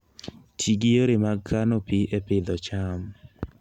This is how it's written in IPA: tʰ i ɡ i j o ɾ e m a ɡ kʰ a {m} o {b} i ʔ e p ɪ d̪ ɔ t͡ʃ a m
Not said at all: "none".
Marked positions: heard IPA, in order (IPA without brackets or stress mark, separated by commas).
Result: n, p